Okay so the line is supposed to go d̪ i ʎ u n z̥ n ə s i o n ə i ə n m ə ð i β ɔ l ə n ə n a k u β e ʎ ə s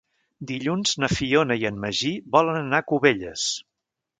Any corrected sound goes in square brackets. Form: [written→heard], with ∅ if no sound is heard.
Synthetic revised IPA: d̪ i ʎ u n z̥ n ə [s→f] i o n ə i ə n m ə [ð→ʒ] i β ɔ l ə n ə n a k u β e ʎ ə s